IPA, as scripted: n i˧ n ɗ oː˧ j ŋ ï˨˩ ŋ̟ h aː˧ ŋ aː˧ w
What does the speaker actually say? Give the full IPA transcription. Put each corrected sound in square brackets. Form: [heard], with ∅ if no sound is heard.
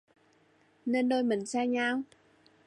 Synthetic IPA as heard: n [e˧] n ɗ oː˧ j [m] ï˨˩ ŋ̟ [s] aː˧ [ɲ] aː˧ w